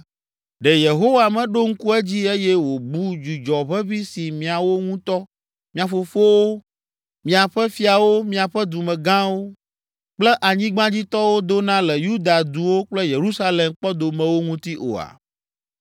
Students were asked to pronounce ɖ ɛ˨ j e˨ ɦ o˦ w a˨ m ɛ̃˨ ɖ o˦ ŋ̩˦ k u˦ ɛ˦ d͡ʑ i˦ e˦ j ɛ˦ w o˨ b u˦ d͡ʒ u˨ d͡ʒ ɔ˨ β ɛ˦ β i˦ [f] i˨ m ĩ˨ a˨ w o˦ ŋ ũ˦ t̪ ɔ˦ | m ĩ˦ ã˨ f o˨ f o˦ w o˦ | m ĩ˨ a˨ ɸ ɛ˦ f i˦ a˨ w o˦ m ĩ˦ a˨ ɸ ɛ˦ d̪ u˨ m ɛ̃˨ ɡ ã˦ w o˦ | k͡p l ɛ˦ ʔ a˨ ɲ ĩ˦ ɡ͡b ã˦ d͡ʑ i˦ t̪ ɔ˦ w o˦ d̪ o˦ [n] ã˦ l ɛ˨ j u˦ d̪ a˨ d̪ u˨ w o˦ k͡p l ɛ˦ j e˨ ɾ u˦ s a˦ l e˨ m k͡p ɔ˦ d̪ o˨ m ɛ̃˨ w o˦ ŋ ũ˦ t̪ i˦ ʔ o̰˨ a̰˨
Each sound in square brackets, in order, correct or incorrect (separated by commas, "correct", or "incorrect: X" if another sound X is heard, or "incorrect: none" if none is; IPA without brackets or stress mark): incorrect: s, correct